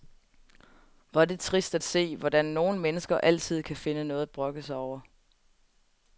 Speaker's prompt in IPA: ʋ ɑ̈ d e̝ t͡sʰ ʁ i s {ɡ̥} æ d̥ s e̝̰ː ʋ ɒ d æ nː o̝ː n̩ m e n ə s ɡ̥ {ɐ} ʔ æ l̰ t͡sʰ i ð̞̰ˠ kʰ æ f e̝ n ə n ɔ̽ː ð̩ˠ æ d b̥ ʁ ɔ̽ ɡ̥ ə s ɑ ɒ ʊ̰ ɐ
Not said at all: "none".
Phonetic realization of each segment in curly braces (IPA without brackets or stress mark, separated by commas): d̥, ɐ